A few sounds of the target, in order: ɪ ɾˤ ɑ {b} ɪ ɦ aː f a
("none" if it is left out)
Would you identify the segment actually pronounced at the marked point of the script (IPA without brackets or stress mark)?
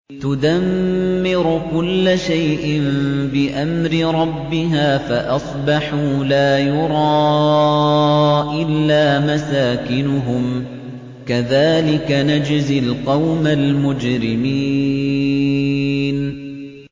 bː